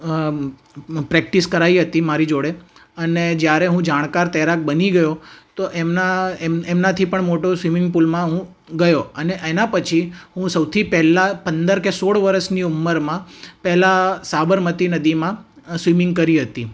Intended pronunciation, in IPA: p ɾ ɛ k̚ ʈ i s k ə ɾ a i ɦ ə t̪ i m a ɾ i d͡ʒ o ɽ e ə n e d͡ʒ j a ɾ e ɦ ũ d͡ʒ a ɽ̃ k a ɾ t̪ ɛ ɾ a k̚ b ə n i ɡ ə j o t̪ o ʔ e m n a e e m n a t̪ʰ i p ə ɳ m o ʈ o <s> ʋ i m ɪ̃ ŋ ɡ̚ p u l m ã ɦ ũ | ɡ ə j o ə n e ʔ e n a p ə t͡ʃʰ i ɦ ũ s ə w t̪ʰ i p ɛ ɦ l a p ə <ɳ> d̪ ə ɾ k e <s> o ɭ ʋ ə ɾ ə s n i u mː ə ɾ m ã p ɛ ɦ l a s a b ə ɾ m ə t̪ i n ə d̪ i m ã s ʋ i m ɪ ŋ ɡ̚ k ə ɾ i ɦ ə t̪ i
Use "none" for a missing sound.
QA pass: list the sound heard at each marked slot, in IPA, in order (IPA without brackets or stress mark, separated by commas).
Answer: s, n, s